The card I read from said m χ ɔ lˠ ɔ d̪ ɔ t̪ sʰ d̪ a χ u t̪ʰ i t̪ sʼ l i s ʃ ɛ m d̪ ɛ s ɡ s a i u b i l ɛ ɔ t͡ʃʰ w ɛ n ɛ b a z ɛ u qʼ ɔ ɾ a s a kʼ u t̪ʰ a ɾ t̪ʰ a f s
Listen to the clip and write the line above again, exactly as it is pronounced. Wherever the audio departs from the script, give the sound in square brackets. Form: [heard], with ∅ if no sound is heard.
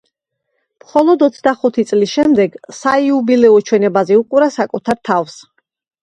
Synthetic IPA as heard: m χ ɔ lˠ ɔ d̪ ɔ t̪ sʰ d̪ a χ u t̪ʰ i t̪ sʼ l i s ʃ ɛ m d̪ ɛ [∅] ɡ s a i u b i l ɛ ɔ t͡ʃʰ w ɛ n ɛ b a z ɛ u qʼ [u] ɾ a s a kʼ u t̪ʰ a ɾ t̪ʰ a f s